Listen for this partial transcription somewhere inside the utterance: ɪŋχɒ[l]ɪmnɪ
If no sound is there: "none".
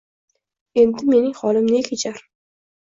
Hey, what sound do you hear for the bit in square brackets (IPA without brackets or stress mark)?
l